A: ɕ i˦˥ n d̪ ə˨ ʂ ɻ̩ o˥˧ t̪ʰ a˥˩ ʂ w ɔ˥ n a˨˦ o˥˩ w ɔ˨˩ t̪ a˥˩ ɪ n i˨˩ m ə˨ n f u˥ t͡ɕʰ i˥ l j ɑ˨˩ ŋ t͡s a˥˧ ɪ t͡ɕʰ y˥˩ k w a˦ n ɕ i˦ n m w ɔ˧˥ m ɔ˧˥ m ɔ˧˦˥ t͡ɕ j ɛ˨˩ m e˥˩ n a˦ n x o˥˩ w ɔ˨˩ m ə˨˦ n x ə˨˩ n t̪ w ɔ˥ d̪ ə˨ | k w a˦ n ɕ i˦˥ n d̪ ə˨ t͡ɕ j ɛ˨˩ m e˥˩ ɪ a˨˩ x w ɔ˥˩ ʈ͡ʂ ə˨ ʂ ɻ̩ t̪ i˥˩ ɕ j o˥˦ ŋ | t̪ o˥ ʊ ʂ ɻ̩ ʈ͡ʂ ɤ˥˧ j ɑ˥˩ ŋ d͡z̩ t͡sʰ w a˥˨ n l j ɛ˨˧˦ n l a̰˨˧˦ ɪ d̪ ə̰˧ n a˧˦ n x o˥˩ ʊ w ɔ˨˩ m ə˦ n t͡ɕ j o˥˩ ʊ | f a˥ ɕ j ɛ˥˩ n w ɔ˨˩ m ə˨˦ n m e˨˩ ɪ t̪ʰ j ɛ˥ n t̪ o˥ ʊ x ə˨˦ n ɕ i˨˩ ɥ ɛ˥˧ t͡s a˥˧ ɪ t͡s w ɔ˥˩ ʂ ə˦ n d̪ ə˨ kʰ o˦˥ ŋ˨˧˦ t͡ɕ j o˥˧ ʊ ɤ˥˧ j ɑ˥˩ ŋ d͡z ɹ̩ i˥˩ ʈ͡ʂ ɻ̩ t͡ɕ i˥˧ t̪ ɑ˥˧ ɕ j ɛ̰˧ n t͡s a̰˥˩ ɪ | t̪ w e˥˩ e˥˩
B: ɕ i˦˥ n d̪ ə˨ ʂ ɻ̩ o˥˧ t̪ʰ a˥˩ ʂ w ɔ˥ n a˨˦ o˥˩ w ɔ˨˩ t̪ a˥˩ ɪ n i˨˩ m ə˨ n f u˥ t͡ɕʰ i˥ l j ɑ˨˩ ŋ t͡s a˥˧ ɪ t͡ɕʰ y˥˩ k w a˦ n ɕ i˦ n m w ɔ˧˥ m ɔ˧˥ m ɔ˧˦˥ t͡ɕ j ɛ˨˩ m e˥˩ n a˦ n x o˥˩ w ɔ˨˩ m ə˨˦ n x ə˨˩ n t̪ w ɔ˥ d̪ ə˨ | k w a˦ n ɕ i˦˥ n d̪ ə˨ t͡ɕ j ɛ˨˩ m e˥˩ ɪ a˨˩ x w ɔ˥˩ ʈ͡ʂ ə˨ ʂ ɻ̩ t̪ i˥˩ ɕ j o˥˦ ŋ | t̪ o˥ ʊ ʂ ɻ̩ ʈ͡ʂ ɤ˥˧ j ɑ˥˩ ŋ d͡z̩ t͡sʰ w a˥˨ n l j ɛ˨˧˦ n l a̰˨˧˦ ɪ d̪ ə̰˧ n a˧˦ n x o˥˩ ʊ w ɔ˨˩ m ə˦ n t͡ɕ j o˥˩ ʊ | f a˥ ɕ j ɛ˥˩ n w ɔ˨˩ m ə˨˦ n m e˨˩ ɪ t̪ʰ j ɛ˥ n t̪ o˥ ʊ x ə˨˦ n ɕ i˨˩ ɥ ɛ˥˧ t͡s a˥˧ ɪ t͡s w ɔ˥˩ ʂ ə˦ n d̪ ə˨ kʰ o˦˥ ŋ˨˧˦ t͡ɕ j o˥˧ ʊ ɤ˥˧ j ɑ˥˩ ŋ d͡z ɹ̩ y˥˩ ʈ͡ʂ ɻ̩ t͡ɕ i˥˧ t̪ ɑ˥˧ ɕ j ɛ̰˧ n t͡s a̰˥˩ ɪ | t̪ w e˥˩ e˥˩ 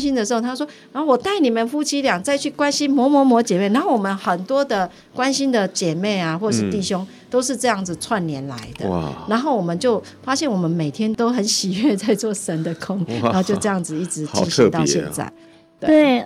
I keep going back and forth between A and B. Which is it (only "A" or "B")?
A